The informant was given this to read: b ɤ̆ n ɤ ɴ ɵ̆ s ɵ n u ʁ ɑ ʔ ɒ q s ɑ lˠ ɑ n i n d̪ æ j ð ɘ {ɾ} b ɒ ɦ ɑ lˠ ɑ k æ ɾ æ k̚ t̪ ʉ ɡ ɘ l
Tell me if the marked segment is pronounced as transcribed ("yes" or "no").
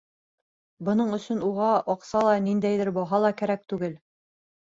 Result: yes